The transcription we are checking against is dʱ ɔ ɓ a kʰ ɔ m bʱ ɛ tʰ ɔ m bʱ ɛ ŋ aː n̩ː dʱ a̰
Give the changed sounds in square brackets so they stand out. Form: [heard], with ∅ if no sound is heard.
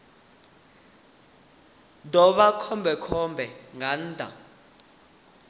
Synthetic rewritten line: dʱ ɔ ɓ a kʰ ɔ m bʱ ɛ [kʰ] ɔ m bʱ ɛ ŋ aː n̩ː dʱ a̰